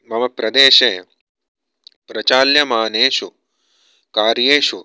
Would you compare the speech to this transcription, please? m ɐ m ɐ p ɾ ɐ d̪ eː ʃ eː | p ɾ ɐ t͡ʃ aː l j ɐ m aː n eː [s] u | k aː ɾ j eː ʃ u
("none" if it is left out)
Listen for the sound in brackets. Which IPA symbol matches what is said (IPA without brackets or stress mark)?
ʃ